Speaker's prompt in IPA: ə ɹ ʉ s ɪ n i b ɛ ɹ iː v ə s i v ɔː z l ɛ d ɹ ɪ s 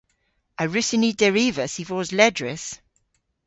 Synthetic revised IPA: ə ɹ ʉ s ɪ n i d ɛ ɹ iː v ə s i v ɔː z l ɛ d ɹ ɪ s

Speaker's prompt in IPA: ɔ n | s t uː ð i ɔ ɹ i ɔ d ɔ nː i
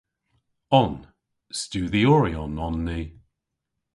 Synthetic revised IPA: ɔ n | s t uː ð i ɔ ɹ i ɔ n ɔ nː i

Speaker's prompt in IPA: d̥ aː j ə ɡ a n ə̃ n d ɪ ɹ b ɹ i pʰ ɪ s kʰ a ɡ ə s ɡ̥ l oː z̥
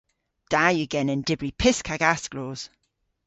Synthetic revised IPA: d̥ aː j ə ɡ ɛ n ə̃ n d ɪ b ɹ i pʰ ɪ s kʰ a ɡ a s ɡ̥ l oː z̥

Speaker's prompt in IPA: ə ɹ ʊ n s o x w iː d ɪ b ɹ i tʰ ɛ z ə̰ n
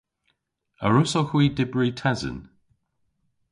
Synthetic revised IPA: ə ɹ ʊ s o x w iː d ɪ b ɹ i tʰ ɛ z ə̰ n

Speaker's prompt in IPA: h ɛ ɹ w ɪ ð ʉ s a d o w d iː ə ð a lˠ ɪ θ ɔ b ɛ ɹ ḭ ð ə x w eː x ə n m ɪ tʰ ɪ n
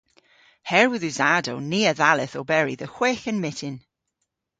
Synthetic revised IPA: h ɛ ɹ w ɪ ð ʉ z a d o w n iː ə ð a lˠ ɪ θ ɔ b ɛ ɹ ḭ ð ə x w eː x ə n m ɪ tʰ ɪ n

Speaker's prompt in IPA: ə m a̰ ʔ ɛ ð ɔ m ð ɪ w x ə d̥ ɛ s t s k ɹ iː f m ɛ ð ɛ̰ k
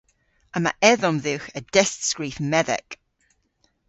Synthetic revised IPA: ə m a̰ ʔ ɛ ð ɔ m ð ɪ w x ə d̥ ɛ s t s k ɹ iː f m ɛ ð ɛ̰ k

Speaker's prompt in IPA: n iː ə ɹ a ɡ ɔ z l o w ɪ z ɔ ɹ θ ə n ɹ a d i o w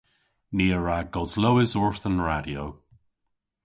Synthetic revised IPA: n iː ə ɹ a ɡ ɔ z l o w ɪ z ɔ ɹ θ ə n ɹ a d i o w

